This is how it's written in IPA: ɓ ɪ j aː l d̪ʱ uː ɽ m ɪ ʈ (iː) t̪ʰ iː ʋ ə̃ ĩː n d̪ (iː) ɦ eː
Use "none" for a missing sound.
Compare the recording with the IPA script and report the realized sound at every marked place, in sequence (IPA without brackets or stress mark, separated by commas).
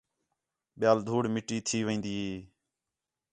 iː, iː